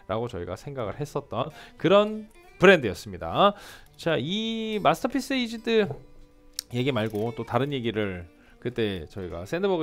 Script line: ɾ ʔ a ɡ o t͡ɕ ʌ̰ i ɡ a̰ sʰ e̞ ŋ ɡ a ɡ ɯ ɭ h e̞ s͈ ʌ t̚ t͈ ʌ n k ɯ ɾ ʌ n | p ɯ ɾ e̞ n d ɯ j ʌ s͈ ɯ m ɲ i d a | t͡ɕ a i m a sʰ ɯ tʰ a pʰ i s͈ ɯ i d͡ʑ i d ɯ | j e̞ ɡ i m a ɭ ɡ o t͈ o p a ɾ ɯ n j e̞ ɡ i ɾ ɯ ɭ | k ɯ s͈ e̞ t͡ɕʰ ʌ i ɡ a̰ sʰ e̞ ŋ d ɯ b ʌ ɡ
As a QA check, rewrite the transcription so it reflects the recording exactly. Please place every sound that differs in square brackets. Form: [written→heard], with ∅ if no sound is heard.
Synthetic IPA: ɾ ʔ a ɡ o t͡ɕ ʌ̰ i ɡ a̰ sʰ e̞ ŋ ɡ a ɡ ɯ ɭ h e̞ s͈ ʌ t̚ t͈ ʌ n k ɯ ɾ ʌ n | p ɯ ɾ e̞ n d ɯ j ʌ s͈ ɯ m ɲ i d a | t͡ɕ a i m a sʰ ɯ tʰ [a→ʌ] pʰ i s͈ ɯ i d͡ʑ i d ɯ | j e̞ ɡ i m a ɭ ɡ o t͈ o [p→t] a ɾ ɯ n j e̞ ɡ i ɾ ɯ ɭ | k ɯ [s͈→t͈] e̞ [t͡ɕʰ→t͡ɕ] ʌ i ɡ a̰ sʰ e̞ [ŋ→n] d ɯ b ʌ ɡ